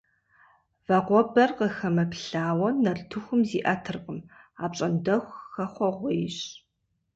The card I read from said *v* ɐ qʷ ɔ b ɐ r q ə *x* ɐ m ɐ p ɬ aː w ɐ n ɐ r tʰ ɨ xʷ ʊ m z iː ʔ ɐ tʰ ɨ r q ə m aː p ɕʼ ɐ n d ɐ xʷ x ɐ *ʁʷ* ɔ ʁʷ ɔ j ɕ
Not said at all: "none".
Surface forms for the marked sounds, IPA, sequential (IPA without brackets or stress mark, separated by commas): v, x, χʷ